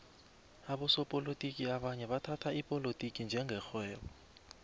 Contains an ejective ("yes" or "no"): yes